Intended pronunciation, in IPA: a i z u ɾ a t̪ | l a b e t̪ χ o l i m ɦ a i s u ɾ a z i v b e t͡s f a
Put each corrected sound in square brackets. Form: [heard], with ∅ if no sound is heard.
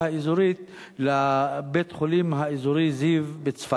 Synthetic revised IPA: a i z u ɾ [i] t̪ | l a b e t̪ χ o l i m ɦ a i [z] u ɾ [i] z i v b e t͡s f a